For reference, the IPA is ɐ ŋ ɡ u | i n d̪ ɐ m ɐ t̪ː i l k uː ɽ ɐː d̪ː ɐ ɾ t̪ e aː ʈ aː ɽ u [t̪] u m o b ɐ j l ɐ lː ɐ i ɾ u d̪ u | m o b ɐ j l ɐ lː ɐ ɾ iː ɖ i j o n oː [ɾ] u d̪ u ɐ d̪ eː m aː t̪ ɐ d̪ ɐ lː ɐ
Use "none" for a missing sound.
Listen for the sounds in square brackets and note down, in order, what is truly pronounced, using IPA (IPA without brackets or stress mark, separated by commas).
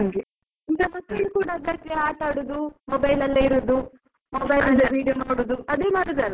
d̪, ɽ